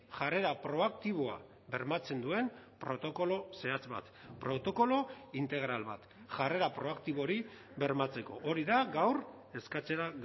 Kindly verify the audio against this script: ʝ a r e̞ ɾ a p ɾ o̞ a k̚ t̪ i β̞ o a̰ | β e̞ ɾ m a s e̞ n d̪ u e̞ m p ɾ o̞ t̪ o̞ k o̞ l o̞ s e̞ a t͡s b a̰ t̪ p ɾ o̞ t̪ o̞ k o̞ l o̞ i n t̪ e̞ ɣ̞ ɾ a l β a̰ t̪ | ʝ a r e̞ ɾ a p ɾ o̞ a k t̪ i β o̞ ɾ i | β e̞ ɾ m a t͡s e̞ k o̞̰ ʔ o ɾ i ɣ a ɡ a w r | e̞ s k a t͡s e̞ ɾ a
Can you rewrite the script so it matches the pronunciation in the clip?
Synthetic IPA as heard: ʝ a r e̞ ɾ a p ɾ o̞ a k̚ t̪ i β̞ o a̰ | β e̞ ɾ m a t͡s e̞ n d̪ u e̞ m p ɾ o̞ t̪ o̞ k o̞ l o̞ s e̞ a t͡s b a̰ t̪ p ɾ o̞ t̪ o̞ k o̞ l o̞ i n t̪ e̞ ɣ̞ ɾ a l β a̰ t̪ | ʝ a r e̞ ɾ a p ɾ o̞ a k t̪ i β o̞ ɾ i | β e̞ ɾ m a t͡s e̞ k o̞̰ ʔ o ɾ i ð a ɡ a w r | e̞ s k a t͡s e̞ ɾ a